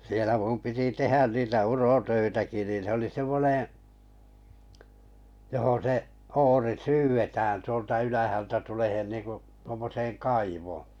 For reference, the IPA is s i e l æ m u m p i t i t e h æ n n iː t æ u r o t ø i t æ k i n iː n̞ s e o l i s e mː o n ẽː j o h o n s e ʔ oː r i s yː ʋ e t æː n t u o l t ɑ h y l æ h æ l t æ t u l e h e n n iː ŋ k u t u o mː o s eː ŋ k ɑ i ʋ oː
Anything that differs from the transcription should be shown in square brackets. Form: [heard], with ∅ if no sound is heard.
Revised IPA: s i e l æ m u m p i t i t e h æ n n iː t æ u r o t ø i t æ k i n iː n̞ s e o l i s e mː o n ẽː j o h o n s e ʔ oː r i s yː ʋ e t æː n t u o l t ɑ [∅] y l æ h æ l t æ t u l e h e n n iː ŋ k u t u o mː o s eː ŋ k ɑ i ʋ oː